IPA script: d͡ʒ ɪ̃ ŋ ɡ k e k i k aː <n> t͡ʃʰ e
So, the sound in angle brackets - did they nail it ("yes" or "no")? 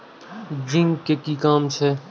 no